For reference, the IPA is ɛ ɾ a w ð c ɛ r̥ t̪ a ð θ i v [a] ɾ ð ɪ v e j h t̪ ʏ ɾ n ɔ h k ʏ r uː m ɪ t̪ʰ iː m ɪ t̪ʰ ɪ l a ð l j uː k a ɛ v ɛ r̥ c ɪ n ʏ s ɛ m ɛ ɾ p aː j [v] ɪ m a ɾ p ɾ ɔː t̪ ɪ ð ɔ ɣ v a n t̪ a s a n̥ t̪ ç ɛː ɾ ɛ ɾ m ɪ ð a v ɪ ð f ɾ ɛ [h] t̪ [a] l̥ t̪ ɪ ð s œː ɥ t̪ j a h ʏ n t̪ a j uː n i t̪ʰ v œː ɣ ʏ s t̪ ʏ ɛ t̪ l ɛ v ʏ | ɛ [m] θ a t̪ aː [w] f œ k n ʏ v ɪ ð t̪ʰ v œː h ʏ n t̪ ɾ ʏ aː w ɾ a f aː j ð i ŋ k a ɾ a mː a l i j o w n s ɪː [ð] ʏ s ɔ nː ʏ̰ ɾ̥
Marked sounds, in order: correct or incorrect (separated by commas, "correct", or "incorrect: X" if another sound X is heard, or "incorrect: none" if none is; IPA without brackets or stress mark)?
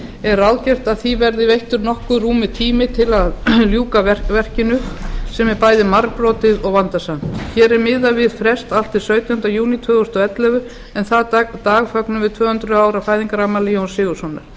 incorrect: ɛ, incorrect: ð, incorrect: s, correct, incorrect: n, incorrect: ɣ, incorrect: ɣ